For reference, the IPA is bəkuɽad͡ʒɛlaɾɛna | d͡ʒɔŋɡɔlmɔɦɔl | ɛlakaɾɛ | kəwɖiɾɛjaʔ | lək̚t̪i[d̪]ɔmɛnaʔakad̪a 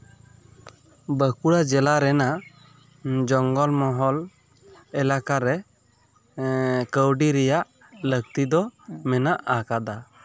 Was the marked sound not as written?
no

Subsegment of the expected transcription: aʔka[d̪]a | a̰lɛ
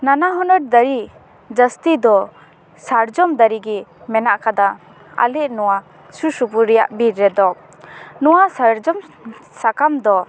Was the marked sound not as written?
no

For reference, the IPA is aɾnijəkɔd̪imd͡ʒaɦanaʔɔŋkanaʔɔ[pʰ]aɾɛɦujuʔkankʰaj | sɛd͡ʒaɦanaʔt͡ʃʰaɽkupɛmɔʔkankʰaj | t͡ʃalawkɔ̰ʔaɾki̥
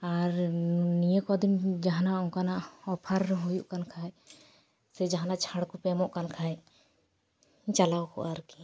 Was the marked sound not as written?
no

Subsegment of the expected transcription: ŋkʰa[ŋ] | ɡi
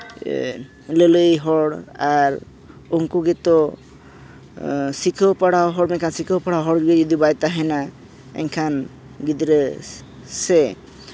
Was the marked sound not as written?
yes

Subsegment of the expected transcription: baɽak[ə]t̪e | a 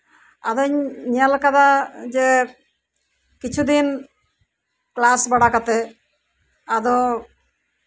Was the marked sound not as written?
yes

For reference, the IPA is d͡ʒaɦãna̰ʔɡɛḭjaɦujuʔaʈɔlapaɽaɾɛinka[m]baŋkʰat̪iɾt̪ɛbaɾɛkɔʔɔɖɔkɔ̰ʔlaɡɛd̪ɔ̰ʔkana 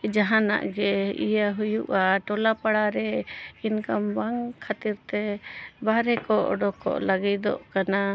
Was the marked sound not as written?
no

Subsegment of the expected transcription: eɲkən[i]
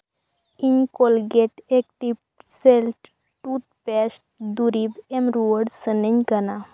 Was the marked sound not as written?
yes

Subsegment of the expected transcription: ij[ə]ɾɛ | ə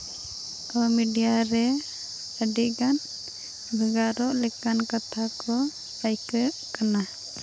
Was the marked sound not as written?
yes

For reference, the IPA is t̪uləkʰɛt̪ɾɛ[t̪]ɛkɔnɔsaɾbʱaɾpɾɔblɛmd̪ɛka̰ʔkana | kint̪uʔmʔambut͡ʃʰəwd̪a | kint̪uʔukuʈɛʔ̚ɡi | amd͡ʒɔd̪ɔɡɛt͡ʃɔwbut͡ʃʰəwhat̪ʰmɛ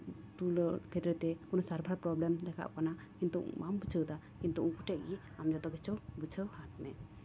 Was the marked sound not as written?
no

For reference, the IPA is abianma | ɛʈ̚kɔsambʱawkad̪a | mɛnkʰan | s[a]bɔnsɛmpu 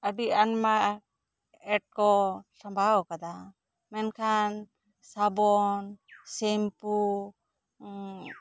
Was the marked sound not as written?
no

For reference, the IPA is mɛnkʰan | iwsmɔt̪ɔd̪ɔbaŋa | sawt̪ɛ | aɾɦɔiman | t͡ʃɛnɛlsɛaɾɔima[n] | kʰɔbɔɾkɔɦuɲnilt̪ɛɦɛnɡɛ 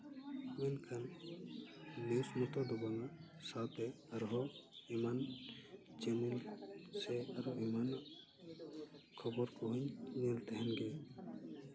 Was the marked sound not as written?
no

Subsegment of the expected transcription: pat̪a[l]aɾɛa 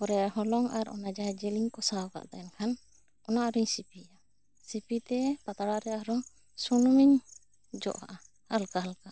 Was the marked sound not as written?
yes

